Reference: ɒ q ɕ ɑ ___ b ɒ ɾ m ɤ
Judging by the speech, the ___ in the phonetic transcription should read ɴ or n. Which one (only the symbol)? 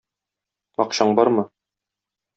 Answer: ɴ